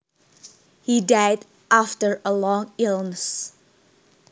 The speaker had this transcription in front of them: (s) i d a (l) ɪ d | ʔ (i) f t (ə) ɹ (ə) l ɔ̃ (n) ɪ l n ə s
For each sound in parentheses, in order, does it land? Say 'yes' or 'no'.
no, no, no, yes, yes, no

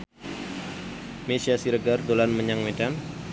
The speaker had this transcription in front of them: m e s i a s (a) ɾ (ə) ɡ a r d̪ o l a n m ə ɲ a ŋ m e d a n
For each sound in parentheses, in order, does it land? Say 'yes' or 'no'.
no, yes

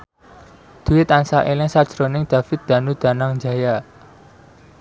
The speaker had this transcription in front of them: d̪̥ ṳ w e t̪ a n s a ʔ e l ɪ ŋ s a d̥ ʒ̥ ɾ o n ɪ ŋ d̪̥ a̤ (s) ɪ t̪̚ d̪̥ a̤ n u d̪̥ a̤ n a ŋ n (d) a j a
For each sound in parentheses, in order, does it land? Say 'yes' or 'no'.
no, no

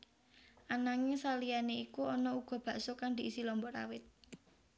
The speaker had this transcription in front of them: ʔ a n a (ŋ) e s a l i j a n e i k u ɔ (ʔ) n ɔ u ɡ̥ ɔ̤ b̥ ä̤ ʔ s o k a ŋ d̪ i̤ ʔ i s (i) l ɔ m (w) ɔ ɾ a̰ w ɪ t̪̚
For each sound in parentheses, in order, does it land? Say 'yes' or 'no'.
yes, no, yes, no

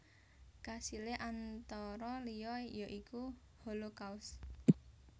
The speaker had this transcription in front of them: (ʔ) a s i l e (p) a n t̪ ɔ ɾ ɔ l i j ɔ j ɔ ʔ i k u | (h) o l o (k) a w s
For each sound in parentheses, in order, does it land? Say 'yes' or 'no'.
no, no, yes, yes

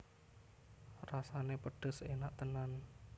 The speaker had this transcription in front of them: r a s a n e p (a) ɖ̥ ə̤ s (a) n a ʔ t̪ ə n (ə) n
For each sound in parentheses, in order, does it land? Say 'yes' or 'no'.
no, no, no

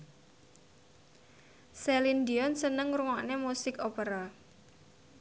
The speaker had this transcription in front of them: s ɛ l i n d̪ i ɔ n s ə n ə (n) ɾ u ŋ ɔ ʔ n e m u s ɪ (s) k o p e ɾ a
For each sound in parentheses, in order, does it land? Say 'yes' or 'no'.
no, no

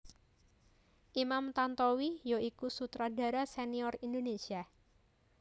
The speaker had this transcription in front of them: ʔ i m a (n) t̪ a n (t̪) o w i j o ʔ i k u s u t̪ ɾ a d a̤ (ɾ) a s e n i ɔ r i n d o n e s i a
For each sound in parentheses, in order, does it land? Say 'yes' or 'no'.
no, yes, yes

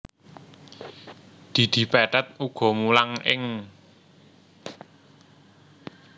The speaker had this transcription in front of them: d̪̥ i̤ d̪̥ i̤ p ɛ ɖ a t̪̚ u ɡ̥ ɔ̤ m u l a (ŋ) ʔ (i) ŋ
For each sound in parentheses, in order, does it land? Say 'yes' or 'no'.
yes, no

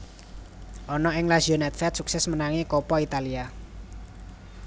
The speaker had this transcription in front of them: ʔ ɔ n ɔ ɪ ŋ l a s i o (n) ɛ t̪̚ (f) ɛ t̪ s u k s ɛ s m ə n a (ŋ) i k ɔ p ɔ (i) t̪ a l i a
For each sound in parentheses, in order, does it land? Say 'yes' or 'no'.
yes, yes, yes, yes

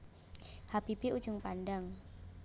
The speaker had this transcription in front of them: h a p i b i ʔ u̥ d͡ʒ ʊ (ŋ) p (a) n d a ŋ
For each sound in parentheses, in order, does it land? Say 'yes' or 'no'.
yes, yes

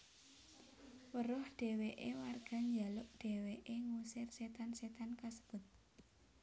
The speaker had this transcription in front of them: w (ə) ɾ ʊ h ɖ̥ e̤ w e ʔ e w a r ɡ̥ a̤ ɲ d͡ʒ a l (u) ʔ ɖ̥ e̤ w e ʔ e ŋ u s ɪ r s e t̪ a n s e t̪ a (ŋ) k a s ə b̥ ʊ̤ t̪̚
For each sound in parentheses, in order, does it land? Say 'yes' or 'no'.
yes, no, no

